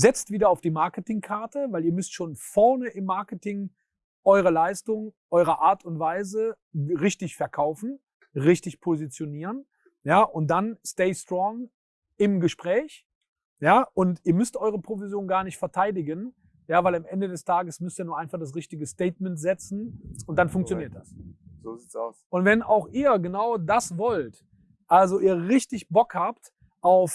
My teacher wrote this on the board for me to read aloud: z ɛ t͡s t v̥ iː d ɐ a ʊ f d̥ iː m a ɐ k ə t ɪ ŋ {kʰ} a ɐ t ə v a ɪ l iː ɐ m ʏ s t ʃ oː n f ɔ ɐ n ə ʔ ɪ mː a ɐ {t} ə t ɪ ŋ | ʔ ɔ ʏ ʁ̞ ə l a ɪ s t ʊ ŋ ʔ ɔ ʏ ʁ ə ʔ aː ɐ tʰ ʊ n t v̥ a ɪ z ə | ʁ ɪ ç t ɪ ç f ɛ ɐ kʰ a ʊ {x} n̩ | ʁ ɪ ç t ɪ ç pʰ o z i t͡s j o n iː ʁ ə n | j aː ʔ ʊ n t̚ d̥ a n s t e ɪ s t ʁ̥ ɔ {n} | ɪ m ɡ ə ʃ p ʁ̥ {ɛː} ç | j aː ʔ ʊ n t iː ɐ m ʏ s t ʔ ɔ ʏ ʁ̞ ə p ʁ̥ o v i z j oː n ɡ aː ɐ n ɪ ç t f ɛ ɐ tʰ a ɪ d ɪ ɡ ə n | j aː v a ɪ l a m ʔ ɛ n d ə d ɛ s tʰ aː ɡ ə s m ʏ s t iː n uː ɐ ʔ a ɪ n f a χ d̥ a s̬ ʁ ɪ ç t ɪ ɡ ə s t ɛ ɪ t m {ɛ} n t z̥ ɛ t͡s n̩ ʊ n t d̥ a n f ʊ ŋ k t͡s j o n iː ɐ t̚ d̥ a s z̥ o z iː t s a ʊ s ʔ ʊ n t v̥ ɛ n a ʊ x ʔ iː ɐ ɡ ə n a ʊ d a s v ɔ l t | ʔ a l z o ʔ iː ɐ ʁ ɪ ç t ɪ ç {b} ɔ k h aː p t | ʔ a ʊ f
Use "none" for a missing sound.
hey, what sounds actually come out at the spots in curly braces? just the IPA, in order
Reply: kʰ, k, f, ŋ, ɛː, ɛ, b

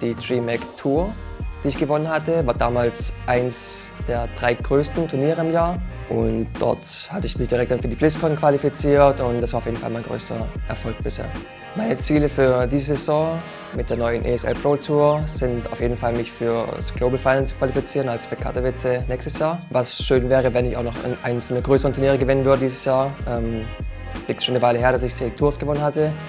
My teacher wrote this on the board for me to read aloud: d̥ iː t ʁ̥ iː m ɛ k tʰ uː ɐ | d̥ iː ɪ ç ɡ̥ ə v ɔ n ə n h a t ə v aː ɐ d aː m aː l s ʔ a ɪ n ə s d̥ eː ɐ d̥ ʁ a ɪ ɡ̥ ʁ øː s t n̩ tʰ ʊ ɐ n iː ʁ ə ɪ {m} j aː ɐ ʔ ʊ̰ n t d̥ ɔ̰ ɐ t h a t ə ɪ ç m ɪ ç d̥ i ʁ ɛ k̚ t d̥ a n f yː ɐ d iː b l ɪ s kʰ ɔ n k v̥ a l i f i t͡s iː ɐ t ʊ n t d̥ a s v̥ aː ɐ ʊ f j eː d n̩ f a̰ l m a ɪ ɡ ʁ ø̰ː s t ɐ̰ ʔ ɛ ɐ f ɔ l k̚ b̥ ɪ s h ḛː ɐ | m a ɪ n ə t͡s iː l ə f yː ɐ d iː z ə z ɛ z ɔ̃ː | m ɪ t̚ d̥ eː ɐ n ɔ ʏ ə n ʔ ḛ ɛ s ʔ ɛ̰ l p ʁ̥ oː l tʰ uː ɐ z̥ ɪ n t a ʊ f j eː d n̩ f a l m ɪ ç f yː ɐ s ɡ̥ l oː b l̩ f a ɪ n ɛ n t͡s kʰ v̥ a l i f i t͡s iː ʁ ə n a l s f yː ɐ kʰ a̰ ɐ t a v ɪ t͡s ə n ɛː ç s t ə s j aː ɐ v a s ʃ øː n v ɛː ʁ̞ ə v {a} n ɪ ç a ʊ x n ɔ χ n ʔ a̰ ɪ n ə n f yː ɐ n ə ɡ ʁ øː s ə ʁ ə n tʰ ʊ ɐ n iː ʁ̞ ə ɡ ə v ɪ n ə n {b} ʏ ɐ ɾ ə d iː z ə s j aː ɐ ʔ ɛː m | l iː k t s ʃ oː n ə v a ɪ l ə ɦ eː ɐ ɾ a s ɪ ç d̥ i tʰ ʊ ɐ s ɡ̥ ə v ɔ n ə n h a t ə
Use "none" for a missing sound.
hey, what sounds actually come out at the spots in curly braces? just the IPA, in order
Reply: m, ɛ, v

